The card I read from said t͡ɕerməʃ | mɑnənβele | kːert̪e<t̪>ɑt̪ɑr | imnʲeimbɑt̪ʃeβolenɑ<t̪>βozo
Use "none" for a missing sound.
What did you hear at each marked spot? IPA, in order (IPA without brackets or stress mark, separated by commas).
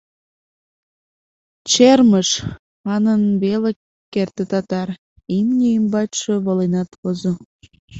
t̪, t̪